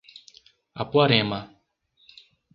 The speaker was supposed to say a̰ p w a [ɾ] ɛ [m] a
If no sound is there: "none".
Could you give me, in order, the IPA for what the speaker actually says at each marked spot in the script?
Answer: ɾ, m

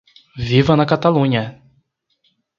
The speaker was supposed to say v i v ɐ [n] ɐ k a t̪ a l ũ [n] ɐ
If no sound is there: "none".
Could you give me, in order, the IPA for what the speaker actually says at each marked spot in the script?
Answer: n, ɲ

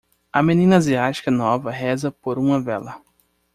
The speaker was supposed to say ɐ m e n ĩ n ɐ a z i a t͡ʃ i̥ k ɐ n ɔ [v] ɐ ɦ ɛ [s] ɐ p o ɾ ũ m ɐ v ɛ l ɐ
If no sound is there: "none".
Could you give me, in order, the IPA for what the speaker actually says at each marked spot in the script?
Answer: v, z

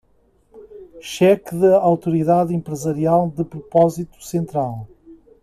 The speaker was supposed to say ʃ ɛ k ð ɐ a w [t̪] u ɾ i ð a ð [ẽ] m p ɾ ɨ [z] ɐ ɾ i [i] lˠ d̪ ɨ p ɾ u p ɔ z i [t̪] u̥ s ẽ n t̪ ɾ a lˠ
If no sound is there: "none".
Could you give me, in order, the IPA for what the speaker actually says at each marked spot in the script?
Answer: t̪, ẽ, z, a, t̪

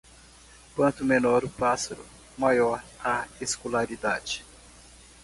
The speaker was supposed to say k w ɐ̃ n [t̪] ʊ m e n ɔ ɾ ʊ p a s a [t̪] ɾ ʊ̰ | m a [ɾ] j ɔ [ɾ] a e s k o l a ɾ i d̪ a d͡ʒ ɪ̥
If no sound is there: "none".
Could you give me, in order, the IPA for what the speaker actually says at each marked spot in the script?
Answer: t̪, none, none, ɾ

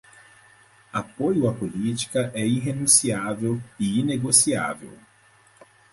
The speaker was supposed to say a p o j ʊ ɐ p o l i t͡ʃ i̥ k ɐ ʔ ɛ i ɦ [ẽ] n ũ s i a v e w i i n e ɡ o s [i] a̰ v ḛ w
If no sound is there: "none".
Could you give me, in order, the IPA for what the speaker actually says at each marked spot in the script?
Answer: e, i

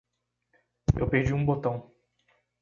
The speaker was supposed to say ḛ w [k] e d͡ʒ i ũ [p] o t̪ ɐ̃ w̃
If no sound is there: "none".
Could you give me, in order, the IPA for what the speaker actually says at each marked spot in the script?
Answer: p, b

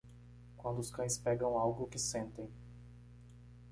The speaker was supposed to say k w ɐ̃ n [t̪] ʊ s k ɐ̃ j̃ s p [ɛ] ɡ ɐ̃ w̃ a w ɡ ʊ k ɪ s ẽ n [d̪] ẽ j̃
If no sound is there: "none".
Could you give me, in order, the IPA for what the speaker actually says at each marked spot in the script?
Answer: d̪, ɛ, t̪

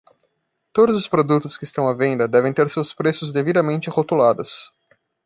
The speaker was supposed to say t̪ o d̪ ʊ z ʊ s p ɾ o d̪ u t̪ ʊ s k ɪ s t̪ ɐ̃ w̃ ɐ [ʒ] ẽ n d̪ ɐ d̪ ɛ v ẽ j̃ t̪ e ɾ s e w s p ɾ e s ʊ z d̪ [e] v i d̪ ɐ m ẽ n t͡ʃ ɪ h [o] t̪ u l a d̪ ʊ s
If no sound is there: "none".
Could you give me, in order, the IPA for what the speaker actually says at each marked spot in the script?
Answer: v, e, o

